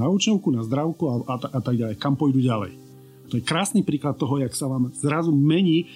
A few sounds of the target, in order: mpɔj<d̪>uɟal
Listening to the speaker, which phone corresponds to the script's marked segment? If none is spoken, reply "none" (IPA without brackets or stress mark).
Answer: d̪